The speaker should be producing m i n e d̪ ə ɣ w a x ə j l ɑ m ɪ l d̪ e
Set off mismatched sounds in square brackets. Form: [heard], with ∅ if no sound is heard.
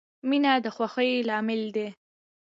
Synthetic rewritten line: m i n [a] d̪ ə [x] w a x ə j l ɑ m ɪ l d̪ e